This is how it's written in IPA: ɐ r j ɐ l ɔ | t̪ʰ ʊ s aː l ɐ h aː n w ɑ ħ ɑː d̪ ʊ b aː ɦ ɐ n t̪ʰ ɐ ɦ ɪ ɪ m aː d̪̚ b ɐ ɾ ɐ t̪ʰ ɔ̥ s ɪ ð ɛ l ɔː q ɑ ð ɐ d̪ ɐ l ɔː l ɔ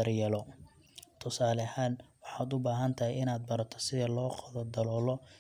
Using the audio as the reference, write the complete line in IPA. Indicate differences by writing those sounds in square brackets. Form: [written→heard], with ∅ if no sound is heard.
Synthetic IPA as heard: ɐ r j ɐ l ɔ | t̪ʰ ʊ s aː l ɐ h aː n w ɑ ħ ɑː d̪ ʊ b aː ɦ ɐ n t̪ʰ ɐ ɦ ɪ ɪ [m→n] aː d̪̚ b ɐ ɾ ɐ t̪ʰ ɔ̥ s ɪ ð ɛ l ɔː q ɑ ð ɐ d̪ ɐ l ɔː l ɔ

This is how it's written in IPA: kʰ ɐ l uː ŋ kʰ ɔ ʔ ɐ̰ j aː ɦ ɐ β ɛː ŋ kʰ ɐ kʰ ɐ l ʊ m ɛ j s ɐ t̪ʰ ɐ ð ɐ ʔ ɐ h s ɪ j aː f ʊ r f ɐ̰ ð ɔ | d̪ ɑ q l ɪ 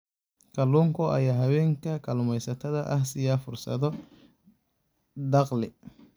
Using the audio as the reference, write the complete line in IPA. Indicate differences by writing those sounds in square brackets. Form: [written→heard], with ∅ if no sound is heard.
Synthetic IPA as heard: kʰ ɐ l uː ŋ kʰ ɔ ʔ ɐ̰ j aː ɦ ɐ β ɛː ŋ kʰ ɐ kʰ ɐ l ʊ m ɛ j s ɐ t̪ʰ ɐ ð ɐ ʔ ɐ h s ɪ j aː f ʊ r [f→s] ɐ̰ ð ɔ | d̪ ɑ q l ɪ

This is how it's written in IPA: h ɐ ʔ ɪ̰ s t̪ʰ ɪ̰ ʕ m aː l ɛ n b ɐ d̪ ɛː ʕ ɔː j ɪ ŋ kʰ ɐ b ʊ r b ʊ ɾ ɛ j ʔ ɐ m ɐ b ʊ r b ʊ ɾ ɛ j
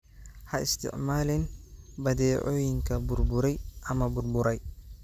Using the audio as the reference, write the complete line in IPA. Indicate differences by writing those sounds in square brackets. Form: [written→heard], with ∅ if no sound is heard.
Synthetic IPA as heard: h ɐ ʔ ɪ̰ s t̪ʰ ɪ̰ ʕ m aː l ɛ n b ɐ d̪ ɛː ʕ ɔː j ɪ ŋ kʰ ɐ b ʊ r b ʊ ɾ ɛ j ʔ ɐ m ɐ b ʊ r b ʊ ɾ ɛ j

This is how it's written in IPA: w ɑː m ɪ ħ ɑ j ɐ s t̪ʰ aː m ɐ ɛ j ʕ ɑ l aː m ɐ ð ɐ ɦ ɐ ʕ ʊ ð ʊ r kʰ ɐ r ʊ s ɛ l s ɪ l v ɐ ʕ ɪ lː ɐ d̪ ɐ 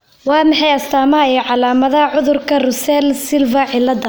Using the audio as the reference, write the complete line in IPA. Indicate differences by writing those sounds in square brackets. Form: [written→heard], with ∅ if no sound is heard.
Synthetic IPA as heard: w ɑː m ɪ ħ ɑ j ɐ s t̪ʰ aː m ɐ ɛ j ʕ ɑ l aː m ɐ ð ɐ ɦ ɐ ʕ ʊ ð ʊ r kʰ ɐ r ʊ s ɛ l s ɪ l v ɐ ʕ ɪ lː ɐ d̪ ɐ

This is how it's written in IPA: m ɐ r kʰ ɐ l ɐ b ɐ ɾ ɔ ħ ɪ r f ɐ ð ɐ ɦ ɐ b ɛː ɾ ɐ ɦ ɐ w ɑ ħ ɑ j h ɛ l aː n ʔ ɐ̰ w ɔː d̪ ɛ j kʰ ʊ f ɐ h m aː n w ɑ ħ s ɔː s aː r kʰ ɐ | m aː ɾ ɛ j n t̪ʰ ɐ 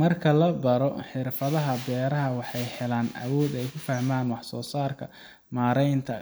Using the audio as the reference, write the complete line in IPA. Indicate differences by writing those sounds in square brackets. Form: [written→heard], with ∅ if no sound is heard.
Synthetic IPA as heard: m ɐ r kʰ ɐ l ɐ b ɐ ɾ ɔ ħ ɪ r f ɐ ð ɐ ɦ ɐ b ɛː ɾ ɐ ɦ ɐ w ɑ ħ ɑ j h ɛ l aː n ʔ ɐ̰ w ɔː d̪ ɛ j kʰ ʊ f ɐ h m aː n w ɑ ħ s ɔː s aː r kʰ ɐ | m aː ɾ ɛ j n t̪ʰ ɐ

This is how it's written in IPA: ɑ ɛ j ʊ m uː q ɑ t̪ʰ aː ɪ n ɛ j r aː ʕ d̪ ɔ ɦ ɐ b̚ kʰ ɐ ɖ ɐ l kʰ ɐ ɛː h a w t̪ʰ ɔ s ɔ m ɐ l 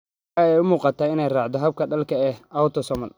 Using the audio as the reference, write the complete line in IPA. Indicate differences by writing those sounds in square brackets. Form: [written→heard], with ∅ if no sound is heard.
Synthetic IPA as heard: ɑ ɛ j ʊ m uː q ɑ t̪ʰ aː ɪ n ɛ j r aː ʕ d̪ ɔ ɦ ɐ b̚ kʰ ɐ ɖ ɐ l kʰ ɐ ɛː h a w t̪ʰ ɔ s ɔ m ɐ l

